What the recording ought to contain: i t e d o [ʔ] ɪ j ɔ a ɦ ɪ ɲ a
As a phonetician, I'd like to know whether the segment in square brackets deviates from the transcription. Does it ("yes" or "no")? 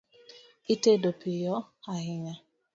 yes